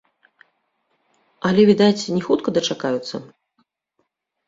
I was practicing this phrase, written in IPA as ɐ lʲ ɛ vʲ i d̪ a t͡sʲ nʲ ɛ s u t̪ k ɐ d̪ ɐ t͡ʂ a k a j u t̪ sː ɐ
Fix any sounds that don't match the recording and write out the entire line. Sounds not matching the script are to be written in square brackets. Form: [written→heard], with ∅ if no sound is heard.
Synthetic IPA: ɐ lʲ ɛ vʲ i d̪ a t͡sʲ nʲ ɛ [s→x] u t̪ k ɐ d̪ ɐ t͡ʂ a k a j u t̪ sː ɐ